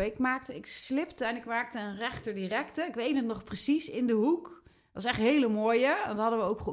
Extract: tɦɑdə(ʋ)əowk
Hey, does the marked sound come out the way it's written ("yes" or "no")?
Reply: yes